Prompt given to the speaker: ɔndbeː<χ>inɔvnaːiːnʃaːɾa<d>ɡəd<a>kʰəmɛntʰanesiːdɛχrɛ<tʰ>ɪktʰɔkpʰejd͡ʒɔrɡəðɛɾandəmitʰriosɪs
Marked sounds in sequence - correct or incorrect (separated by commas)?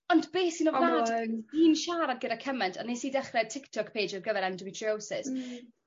incorrect, correct, correct, correct